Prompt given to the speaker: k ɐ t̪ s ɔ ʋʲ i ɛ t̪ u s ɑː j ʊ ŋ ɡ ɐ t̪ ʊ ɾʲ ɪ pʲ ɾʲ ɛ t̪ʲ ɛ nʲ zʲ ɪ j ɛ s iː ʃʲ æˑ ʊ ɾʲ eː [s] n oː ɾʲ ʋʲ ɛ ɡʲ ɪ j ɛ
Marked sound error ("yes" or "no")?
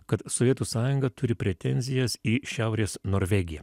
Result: no